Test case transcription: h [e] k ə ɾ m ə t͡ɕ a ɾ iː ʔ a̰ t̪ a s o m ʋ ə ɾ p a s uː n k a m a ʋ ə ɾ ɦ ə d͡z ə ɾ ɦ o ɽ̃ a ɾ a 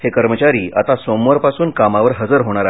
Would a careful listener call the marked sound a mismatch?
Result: no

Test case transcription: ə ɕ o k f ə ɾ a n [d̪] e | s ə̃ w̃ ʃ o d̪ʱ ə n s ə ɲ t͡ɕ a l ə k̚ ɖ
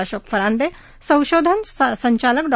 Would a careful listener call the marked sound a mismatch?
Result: no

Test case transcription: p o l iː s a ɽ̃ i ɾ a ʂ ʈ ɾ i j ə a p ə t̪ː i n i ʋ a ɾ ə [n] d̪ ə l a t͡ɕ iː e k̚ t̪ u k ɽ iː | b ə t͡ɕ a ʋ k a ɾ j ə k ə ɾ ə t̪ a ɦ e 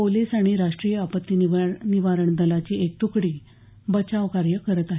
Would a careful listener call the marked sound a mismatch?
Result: yes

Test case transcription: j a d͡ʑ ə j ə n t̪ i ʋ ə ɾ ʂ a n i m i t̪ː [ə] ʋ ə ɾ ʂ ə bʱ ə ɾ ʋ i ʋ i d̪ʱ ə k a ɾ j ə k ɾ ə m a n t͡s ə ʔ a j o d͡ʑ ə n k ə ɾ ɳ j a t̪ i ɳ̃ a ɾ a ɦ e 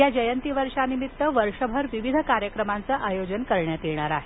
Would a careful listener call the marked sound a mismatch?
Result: no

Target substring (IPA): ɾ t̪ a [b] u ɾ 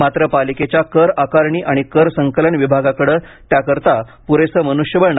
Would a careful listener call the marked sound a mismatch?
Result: yes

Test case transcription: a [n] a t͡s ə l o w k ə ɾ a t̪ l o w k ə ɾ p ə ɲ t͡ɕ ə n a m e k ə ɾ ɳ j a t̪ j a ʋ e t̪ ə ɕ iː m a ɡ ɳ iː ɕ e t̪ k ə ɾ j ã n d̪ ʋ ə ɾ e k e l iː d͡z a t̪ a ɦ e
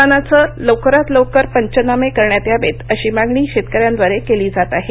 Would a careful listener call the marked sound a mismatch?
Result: no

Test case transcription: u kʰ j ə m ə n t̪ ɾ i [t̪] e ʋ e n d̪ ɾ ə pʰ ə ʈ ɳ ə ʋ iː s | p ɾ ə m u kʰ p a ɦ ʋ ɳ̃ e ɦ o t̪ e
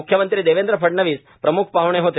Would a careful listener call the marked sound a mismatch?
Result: yes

